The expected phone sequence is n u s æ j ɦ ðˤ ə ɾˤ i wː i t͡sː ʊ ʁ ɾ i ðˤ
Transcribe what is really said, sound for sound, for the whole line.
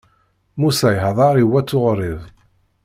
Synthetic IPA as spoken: m u s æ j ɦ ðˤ ɑ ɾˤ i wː æ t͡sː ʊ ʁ ɾ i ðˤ

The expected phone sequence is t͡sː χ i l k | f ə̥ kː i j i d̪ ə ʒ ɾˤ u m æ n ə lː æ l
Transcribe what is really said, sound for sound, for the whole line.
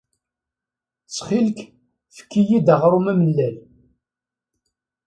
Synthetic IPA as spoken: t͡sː χ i l k | f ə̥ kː i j i d̪ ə ʁ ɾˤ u m æ m ə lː æ l

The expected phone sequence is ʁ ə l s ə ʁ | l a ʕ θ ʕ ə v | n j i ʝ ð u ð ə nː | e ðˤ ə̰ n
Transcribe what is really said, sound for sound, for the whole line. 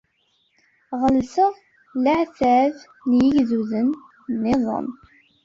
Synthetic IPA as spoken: ʁ ə l s ə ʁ | l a ʕ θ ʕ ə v | n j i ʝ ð u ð ə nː | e ðˤ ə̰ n

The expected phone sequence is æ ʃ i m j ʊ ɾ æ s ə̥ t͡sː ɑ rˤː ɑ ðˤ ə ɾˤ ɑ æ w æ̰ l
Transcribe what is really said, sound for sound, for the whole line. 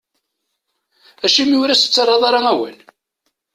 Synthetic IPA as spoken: æ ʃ i m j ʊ ɾ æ s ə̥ t͡sː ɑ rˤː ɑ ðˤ ɑ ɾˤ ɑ æ w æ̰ l

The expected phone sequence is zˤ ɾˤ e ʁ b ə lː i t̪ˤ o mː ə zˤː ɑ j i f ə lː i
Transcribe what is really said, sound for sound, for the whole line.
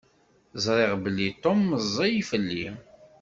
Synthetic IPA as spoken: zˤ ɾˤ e ʁ b ə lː i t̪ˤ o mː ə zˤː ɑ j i f ə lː i

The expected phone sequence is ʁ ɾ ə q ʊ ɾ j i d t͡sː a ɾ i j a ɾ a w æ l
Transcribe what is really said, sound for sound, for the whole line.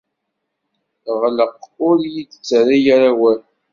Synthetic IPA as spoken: ʁ l ə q ʊ ɾ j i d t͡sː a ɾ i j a ɾ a w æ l

